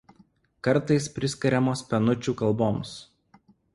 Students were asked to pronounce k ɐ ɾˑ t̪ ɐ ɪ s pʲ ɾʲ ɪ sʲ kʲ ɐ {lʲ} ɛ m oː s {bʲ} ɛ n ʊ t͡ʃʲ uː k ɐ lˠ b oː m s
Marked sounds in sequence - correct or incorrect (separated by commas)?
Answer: incorrect, incorrect